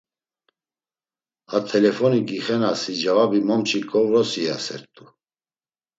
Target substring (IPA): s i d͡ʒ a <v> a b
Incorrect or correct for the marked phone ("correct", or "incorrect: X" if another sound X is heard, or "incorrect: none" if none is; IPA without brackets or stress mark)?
correct